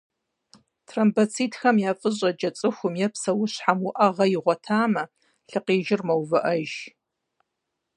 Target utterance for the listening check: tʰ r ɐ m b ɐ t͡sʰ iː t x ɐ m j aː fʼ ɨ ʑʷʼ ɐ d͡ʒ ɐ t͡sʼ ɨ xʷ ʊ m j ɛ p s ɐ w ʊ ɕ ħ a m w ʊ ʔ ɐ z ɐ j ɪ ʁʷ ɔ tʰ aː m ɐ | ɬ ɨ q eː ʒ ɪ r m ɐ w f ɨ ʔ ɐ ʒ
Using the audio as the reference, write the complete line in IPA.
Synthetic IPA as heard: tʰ r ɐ m b ɐ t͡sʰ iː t x ɐ m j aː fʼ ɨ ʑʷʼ ɐ d͡ʒ ɐ t͡sʼ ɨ xʷ ʊ m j ɛ p s ɐ w ʊ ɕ ħ a m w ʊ ʔ ɐ ʁ ɐ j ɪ ʁʷ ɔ tʰ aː m ɐ | ɬ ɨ q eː ʒ ɪ r m ɐ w v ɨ ʔ ɐ ʒ